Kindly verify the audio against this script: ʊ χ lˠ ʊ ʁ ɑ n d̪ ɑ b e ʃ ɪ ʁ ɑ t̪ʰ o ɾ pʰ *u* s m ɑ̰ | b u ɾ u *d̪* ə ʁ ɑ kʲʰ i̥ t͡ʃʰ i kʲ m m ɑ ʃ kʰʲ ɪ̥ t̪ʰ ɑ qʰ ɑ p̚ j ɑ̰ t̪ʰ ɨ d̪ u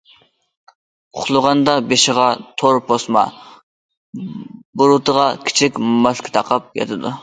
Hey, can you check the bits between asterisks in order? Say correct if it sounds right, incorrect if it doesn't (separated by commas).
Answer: incorrect, incorrect